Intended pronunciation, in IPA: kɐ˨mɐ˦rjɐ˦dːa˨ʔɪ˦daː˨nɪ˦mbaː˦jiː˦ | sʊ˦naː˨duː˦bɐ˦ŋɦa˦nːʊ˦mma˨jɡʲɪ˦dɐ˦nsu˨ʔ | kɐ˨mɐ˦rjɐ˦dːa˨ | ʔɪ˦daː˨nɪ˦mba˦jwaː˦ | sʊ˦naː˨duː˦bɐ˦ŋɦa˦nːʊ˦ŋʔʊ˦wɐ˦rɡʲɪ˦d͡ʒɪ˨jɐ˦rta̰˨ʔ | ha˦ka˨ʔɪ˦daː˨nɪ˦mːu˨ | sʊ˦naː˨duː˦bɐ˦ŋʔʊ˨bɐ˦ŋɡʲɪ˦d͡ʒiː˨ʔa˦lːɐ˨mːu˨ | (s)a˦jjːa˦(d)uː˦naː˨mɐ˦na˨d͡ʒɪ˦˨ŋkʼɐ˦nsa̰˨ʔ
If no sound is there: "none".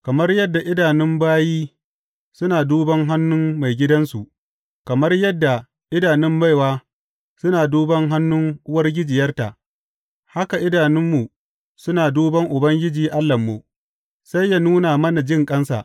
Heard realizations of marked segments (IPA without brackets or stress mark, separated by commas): s, n